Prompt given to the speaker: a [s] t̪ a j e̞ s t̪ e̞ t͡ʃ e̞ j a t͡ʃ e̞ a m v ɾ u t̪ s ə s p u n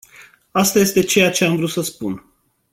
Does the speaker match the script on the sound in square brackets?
yes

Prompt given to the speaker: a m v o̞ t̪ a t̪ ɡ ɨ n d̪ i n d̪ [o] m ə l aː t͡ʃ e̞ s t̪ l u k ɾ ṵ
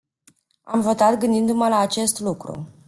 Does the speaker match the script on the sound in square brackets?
no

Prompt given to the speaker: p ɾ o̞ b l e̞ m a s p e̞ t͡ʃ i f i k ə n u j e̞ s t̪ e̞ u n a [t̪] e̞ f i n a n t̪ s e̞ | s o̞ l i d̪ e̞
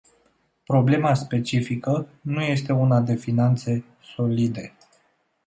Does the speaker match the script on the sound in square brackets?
no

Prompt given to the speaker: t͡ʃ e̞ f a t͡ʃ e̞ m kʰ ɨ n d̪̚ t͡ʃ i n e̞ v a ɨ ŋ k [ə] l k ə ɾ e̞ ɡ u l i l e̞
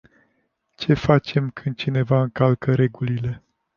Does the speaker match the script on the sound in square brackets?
no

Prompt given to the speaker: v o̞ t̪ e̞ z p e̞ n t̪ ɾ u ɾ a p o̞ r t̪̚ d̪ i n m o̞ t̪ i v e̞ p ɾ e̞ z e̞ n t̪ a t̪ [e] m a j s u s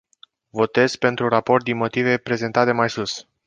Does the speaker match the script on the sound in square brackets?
yes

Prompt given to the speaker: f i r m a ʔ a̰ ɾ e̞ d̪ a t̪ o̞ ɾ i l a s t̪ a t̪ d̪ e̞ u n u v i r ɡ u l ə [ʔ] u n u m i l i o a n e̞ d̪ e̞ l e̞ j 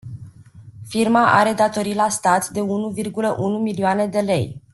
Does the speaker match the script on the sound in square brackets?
yes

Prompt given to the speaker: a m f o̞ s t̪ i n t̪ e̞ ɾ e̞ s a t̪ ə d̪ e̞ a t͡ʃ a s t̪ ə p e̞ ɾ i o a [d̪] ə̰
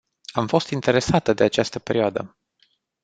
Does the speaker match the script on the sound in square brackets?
yes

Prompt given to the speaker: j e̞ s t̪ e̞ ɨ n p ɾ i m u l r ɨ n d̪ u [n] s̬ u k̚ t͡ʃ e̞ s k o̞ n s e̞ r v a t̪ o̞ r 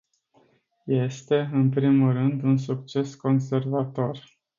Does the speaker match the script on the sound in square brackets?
yes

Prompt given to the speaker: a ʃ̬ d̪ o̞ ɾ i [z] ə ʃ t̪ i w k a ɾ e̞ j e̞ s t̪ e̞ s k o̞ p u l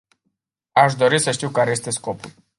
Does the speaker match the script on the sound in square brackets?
no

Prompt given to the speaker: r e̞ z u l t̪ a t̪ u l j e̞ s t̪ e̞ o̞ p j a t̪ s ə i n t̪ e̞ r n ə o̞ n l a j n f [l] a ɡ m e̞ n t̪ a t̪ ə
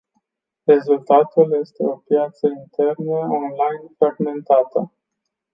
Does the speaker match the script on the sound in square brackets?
no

